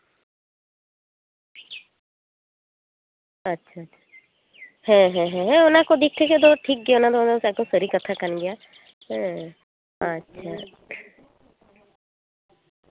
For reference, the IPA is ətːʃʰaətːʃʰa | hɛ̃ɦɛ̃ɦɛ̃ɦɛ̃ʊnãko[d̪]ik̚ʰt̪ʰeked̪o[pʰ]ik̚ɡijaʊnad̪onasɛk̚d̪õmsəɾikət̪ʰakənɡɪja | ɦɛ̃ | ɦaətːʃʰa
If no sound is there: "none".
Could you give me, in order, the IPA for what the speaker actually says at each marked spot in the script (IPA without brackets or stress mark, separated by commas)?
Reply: d̪, ʈʰ